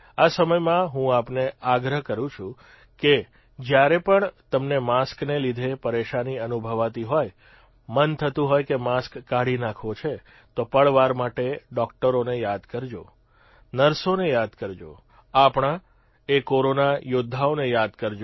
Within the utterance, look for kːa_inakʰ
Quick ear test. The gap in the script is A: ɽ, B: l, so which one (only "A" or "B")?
A